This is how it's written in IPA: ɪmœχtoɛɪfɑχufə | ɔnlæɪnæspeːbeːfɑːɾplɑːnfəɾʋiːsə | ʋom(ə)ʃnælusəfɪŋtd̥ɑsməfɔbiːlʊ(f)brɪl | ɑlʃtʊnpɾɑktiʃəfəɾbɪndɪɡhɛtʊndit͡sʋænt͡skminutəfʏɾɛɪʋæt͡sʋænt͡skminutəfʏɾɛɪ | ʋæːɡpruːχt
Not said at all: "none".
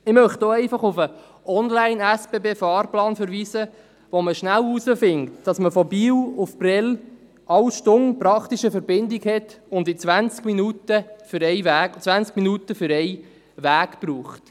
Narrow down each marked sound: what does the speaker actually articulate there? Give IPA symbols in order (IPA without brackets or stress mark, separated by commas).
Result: ə, f